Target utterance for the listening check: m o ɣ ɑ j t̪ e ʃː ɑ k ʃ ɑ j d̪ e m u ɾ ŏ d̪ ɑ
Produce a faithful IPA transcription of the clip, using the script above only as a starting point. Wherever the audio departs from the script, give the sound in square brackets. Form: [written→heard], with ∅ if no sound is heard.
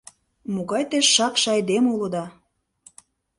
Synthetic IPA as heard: m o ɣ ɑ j t̪ e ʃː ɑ k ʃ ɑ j d̪ e m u [ɾ→l] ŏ d̪ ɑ